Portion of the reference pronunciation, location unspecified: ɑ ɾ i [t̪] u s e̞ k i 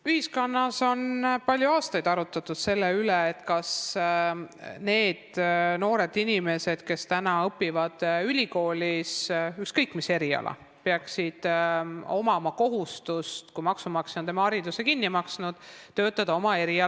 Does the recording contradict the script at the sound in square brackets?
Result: yes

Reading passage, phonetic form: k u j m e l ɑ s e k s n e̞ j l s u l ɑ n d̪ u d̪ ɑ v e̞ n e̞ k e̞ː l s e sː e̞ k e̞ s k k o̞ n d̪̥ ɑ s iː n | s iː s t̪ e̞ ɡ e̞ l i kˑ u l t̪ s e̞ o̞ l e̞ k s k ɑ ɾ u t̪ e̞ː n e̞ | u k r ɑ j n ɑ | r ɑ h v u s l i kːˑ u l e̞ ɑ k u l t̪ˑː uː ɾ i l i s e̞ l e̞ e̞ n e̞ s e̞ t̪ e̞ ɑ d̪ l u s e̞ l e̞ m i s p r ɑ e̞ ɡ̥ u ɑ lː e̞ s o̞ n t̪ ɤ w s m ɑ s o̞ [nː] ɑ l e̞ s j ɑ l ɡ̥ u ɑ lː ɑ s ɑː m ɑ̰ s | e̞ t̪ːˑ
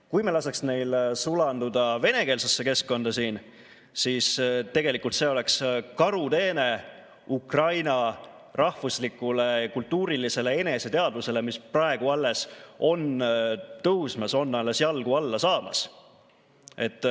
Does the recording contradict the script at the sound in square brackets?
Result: no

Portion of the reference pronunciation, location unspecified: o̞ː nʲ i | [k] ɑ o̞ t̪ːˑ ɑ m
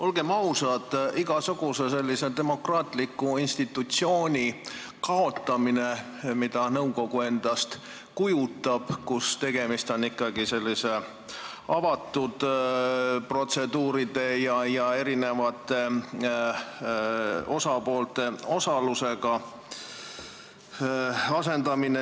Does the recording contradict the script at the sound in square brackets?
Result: no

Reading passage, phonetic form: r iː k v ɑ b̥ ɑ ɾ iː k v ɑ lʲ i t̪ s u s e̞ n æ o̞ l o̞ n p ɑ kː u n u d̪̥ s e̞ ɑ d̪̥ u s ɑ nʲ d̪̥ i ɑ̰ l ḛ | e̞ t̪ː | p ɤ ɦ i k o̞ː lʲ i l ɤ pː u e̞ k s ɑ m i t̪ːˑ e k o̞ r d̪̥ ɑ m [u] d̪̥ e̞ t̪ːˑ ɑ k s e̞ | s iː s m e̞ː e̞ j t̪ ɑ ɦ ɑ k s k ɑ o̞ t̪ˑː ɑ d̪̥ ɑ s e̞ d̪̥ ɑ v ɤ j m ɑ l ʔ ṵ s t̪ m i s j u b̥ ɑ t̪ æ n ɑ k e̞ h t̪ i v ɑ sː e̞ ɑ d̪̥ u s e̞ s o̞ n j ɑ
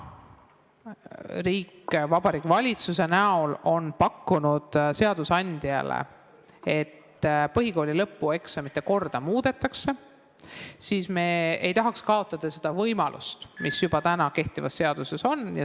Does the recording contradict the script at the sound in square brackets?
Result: yes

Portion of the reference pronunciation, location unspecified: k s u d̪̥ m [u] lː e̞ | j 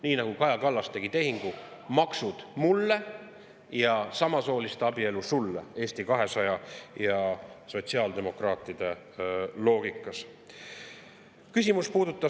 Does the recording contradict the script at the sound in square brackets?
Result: no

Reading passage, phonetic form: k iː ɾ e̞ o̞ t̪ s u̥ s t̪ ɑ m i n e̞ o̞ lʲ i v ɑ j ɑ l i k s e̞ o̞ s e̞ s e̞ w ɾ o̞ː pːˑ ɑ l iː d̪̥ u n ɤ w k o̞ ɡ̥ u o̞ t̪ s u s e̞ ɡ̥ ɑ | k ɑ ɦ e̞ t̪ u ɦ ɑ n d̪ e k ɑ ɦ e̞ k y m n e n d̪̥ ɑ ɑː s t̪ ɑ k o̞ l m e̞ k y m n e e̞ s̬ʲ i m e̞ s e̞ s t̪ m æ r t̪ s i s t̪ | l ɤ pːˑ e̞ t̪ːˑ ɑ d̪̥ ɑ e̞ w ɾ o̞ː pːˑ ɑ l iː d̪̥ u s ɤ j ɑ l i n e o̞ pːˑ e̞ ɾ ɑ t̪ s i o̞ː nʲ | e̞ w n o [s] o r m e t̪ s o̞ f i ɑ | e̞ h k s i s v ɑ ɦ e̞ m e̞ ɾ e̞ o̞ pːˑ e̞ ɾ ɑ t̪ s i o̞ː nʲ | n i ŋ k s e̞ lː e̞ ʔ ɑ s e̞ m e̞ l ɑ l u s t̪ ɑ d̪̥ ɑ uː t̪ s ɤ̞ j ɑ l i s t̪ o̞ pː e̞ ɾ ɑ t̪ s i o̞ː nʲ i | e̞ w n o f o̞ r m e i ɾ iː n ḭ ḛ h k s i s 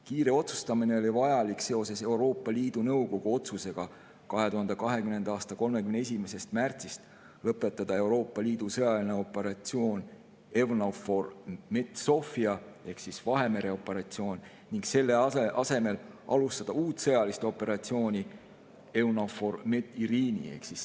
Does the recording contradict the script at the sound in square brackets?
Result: yes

